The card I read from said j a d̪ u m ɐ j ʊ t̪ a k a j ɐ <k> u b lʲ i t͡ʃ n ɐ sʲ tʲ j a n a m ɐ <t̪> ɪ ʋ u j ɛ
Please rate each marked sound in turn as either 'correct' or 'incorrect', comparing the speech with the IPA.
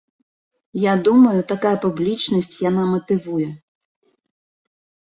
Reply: incorrect: p, correct

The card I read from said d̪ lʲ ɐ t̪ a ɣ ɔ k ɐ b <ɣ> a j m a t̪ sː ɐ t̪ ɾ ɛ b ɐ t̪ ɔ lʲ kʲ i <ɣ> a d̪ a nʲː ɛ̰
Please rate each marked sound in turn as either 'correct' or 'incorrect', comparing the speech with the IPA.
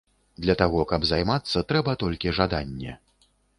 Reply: incorrect: z, incorrect: ʐ

